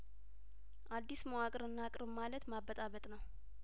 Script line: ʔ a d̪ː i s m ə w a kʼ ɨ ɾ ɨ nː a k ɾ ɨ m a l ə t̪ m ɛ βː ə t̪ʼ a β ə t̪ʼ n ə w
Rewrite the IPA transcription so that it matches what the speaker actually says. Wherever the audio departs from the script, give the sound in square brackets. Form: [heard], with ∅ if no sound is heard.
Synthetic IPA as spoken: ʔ a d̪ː i s m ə w a kʼ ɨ ɾ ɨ nː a [kʼ] ɾ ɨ m a l ə t̪ m [a] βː ə t̪ʼ a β ə t̪ʼ n ə w